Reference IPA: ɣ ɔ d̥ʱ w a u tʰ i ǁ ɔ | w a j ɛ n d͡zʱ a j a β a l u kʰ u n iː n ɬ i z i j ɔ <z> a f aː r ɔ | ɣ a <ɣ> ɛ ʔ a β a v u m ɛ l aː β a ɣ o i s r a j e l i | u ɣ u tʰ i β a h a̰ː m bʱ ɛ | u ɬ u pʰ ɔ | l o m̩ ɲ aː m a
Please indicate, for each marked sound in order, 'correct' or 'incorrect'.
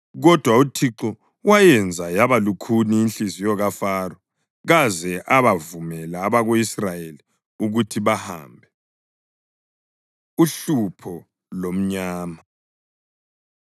incorrect: ɣ, incorrect: z

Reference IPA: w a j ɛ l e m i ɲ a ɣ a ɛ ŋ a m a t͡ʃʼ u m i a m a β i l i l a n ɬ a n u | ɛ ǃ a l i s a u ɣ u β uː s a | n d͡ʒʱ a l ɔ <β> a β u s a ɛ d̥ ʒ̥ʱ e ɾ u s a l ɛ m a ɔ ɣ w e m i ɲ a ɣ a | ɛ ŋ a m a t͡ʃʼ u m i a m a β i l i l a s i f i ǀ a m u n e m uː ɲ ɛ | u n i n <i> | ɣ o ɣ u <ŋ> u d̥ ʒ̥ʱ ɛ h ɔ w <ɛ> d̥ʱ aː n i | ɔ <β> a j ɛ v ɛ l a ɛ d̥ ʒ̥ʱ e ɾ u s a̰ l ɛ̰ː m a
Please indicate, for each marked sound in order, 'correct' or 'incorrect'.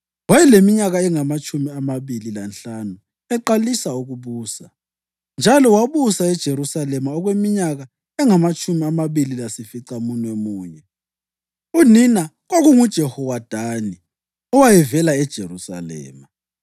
incorrect: w, incorrect: a, correct, incorrect: a, incorrect: w

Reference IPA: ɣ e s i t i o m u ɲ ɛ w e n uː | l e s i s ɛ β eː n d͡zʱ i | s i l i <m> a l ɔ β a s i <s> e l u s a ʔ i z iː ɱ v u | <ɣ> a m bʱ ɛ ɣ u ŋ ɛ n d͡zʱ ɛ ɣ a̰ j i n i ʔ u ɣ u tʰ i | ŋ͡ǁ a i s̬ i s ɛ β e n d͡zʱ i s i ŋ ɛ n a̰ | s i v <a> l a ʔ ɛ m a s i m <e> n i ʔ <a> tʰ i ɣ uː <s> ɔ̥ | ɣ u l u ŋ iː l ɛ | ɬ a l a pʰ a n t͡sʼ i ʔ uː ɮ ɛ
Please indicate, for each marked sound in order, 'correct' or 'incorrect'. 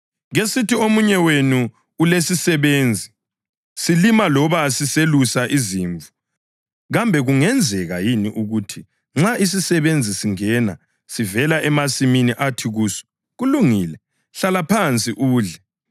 correct, correct, correct, incorrect: ɛ, incorrect: i, correct, correct

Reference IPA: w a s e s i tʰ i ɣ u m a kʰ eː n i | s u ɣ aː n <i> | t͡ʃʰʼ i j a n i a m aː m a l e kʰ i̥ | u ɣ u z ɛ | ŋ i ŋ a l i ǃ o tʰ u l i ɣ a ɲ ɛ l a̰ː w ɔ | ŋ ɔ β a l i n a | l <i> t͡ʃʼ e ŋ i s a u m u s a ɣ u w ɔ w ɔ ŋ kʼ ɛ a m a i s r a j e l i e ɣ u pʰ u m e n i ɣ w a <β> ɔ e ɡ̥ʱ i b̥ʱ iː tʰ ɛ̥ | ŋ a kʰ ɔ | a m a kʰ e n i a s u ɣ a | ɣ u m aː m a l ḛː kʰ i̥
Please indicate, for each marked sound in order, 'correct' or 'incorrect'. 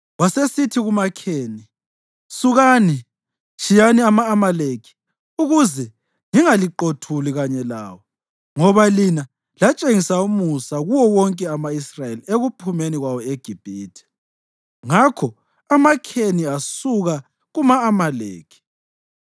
correct, incorrect: a, incorrect: w

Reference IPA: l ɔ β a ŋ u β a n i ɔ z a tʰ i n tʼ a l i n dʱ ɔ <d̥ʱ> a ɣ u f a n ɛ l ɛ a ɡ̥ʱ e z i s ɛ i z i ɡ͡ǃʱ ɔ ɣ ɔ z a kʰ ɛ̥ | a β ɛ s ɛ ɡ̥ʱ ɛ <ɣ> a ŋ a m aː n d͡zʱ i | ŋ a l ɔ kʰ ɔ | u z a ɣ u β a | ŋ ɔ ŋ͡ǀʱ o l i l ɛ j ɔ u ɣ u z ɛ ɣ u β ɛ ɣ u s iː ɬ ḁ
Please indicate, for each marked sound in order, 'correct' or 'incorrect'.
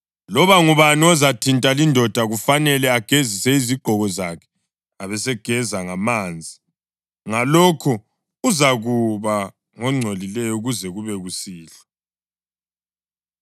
correct, incorrect: z

